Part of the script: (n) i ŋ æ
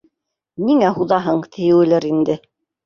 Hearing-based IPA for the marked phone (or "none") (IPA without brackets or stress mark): n